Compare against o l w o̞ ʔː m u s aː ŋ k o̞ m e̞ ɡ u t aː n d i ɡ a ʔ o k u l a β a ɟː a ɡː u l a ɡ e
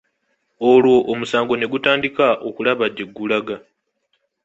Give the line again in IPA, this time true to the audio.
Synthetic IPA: o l w o̞ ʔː m u s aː ŋ ɡ o̞ n e̞ ɡ u t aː n d i k a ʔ o k u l a β a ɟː e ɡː u l a ɡ a